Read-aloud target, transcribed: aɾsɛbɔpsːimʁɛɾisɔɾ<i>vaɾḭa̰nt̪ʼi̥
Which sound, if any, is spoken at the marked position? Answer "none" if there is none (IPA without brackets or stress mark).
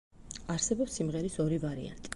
i